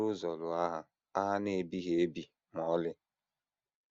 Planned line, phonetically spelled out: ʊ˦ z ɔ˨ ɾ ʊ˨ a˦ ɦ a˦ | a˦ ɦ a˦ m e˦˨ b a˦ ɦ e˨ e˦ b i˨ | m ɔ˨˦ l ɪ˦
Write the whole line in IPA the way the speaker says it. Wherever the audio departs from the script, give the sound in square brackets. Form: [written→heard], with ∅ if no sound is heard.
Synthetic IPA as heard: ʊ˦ z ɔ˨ [ɾ→l] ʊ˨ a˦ ɦ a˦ | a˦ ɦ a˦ [m→n] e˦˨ b [a˦→i˦] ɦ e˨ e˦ b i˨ | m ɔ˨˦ l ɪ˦